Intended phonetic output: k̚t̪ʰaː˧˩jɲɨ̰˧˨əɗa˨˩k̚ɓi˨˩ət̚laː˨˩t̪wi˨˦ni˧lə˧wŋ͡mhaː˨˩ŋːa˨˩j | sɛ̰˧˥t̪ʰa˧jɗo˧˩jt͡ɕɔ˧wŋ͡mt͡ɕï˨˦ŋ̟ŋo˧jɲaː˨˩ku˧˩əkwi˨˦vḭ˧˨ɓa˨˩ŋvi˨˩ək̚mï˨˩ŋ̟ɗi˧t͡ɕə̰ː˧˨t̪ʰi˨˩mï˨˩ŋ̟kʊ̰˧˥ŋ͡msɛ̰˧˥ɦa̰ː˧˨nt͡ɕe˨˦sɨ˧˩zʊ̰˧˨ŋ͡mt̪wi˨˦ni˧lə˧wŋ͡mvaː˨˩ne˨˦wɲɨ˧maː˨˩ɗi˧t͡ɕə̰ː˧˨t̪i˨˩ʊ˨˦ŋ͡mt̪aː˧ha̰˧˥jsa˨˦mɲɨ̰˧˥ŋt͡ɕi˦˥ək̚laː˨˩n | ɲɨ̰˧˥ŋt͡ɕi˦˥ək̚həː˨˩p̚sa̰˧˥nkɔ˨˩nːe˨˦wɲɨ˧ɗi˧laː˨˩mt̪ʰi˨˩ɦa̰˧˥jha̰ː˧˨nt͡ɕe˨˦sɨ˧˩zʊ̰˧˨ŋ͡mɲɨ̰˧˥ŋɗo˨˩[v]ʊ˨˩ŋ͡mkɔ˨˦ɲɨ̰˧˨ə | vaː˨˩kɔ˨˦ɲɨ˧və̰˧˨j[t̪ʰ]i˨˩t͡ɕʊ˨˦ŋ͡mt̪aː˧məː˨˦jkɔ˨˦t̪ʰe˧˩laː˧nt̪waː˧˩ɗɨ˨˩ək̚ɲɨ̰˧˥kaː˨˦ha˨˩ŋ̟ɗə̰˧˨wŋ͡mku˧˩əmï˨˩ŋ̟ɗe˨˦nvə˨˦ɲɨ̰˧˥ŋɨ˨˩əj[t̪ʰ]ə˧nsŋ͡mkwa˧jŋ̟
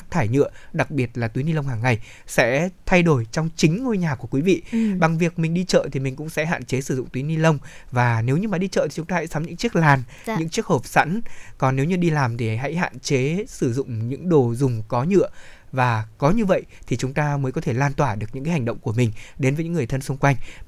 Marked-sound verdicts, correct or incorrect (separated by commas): incorrect, correct, correct